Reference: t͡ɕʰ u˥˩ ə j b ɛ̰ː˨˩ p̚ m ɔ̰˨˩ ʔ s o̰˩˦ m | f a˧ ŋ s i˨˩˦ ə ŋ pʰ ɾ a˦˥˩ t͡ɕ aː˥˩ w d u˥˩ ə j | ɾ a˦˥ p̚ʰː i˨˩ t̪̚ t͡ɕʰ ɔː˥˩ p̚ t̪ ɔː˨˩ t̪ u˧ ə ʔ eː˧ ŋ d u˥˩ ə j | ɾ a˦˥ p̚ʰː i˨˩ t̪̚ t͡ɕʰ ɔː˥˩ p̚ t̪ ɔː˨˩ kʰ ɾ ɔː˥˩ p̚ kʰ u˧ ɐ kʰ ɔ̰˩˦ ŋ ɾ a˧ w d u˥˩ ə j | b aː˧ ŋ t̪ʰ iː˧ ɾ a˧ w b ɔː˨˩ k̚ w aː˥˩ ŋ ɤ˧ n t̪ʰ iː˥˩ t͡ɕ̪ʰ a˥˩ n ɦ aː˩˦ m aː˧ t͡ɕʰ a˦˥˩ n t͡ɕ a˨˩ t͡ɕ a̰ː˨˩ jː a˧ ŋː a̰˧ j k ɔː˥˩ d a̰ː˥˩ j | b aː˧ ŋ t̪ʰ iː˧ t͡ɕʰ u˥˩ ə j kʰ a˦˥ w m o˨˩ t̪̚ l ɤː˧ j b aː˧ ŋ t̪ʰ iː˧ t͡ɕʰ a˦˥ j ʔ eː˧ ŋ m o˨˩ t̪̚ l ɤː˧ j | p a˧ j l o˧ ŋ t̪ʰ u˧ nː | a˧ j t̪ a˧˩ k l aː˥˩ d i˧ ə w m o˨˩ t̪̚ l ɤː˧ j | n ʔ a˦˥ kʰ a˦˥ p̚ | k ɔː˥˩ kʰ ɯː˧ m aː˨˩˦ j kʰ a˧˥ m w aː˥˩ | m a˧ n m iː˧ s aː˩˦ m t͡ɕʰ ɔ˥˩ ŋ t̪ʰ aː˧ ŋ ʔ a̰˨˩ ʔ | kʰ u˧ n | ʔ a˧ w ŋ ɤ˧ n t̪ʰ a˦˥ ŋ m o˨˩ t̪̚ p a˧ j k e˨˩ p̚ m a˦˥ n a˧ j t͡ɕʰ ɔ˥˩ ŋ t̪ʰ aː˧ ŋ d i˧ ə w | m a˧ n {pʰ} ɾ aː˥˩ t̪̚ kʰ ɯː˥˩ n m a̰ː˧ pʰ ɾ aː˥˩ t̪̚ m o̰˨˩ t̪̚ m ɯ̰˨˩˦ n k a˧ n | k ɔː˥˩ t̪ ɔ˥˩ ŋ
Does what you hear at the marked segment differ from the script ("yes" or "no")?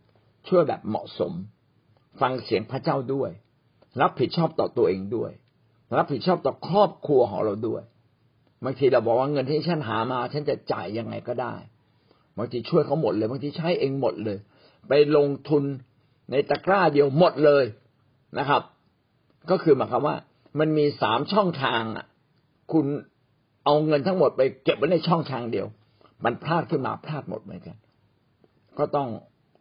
no